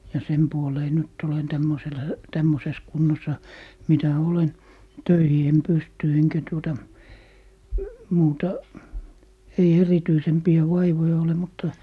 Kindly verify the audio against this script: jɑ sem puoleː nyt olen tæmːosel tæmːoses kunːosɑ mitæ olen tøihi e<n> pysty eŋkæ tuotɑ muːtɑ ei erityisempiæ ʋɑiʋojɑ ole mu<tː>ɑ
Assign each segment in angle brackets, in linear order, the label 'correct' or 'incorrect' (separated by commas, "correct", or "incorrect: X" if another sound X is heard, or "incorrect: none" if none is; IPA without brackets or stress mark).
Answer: incorrect: m, correct